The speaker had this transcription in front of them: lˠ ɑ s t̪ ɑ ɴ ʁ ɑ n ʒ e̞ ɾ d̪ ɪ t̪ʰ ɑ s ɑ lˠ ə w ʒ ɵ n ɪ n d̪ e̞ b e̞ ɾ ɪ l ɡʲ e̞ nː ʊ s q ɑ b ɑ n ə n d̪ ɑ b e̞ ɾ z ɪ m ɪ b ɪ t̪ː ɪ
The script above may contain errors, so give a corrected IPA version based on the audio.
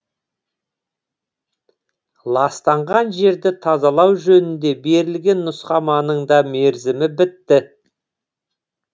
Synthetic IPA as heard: lˠ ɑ s t̪ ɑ ɴ ʁ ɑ n ʒ e̞ ɾ d̪ ɪ t̪ʰ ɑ z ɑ lˠ ɑ w ʒ ɵ n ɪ n d̪ e̞ b e̞ ɾ ɪ l ɡʲ e̞ nː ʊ s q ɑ m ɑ n ə ɴ d̪ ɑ m e̞ ɾ z ɪ m ɪ b ɪ t̪ː ɪ